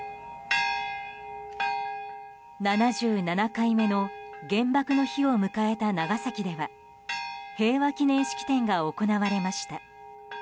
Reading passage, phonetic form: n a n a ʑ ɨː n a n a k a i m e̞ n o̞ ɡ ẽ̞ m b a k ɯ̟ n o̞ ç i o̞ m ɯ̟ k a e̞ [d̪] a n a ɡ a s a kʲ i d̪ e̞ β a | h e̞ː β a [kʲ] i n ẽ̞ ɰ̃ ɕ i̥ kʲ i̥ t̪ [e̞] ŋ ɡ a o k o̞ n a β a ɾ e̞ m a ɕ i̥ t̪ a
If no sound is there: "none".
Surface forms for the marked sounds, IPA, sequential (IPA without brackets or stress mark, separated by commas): t̪, kʲ, ẽ̞